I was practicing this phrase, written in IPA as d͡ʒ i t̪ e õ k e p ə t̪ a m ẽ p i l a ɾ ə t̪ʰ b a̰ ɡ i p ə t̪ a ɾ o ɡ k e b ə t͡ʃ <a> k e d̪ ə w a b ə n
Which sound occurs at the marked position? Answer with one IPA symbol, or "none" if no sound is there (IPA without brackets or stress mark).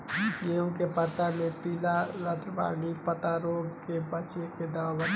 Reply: e